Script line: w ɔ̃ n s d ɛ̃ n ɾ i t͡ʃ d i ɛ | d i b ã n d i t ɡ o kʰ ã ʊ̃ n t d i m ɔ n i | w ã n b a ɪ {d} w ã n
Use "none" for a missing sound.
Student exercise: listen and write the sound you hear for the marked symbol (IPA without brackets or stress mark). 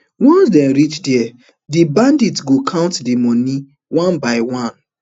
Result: none